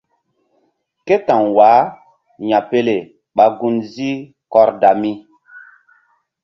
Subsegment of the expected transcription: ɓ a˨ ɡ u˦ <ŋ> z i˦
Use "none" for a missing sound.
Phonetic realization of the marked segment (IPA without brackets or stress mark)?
n